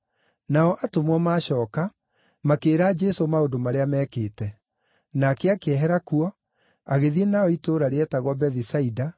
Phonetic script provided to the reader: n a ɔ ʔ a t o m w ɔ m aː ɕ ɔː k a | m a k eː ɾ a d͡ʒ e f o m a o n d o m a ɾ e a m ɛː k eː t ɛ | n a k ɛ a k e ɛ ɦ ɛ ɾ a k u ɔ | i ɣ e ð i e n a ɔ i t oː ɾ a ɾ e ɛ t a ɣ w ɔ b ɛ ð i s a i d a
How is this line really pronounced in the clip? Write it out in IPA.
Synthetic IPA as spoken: n a ɔ ʔ a t o m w ɔ m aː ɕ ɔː k a | m a k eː ɾ a d͡ʒ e s o m a o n d o m a ɾ e a m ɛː k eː t ɛ | n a k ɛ a k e ɛ ɦ ɛ ɾ a k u ɔ | a ɣ e ð i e n a ɔ i t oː ɾ a ɾ e ɛ t a ɣ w ɔ b ɛ ð i s a i d a